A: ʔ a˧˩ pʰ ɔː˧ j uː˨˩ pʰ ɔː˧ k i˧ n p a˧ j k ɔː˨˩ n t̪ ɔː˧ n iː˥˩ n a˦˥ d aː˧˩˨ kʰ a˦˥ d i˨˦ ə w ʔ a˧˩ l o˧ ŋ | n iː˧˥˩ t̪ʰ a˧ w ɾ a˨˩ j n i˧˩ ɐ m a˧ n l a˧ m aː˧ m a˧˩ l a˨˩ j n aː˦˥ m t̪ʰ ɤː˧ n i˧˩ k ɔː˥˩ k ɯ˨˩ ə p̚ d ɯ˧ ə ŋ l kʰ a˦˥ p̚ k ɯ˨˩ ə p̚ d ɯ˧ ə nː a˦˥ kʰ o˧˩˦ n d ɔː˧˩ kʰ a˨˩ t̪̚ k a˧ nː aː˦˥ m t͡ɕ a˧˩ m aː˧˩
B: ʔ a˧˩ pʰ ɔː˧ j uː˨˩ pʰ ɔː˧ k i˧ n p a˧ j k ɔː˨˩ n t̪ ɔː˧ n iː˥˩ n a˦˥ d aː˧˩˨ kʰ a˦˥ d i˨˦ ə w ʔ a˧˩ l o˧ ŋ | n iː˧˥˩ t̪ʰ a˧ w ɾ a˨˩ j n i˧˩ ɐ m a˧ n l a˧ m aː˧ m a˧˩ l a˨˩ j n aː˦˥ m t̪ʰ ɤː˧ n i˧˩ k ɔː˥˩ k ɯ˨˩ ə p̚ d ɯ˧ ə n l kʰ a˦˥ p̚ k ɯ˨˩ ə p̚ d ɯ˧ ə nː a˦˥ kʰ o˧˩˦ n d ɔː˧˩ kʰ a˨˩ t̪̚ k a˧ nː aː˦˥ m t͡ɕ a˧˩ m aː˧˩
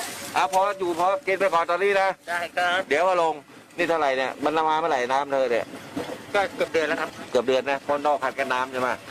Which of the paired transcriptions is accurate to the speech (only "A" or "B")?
B